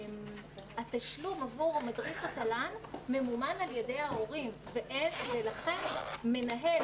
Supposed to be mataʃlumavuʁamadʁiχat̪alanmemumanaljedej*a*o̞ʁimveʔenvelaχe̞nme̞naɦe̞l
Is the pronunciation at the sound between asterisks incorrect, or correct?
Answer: correct